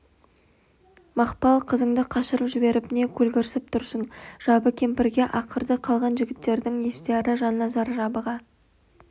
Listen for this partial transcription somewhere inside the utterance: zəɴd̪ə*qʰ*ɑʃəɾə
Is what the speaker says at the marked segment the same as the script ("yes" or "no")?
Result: yes